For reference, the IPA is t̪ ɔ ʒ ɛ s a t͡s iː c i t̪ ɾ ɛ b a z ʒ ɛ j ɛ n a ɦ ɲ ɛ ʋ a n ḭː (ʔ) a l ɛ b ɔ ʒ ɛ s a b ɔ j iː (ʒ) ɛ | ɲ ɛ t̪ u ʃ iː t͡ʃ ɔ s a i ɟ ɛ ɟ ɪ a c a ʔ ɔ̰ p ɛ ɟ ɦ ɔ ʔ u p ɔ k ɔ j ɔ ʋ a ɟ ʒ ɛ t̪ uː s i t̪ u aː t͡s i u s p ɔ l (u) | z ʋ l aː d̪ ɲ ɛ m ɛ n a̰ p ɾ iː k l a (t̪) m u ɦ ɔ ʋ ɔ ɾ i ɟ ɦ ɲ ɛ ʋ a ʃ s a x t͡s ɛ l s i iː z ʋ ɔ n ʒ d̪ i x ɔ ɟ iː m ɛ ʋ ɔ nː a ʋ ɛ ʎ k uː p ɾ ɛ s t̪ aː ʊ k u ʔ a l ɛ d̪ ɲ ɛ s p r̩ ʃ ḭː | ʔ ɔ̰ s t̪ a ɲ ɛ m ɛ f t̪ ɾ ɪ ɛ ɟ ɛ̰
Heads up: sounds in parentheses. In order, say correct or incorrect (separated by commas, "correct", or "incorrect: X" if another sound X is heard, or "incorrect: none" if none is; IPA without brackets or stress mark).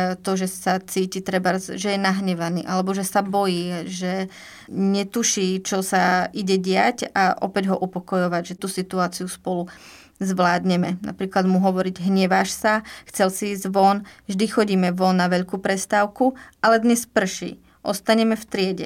correct, correct, correct, incorrect: d̪